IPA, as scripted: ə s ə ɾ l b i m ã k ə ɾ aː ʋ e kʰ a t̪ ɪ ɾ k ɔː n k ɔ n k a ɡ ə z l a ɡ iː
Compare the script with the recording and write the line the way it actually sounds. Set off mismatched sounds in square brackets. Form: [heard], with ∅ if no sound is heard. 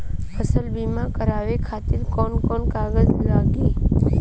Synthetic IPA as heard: ə s ə [∅] l b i m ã k ə ɾ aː ʋ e kʰ a t̪ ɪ ɾ k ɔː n k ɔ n k a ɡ ə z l a ɡ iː